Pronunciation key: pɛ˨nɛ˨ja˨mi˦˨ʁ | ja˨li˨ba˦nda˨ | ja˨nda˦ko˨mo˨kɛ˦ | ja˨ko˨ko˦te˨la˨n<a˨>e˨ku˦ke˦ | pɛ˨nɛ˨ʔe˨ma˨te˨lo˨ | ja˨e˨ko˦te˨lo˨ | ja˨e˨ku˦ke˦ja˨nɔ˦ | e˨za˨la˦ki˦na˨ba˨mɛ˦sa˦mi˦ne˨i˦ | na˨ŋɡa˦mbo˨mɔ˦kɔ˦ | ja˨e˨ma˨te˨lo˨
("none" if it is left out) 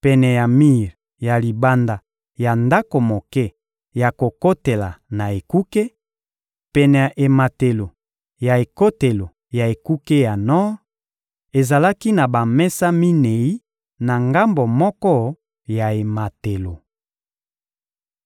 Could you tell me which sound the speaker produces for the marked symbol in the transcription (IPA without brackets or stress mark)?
a˨